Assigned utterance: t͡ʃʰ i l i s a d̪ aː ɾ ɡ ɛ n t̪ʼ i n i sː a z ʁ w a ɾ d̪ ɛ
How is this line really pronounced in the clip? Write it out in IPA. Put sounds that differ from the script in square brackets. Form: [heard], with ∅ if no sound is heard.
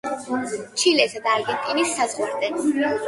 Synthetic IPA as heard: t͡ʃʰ i l [ɛ] s a d̪ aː ɾ ɡ ɛ n t̪ʼ i n i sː a z ʁ w a ɾ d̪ ɛ